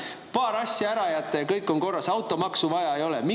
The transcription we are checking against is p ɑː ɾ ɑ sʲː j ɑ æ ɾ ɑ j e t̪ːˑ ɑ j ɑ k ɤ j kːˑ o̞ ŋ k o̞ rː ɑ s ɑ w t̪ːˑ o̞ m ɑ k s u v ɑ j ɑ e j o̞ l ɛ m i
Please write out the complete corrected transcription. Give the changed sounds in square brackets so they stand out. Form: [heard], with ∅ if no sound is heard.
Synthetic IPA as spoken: p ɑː ɾ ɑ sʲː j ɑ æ ɾ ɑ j [æ] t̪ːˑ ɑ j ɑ k ɤ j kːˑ o̞ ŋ k o̞ rː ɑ s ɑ w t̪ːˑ o̞ m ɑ k s u v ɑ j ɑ e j o̞ l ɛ m i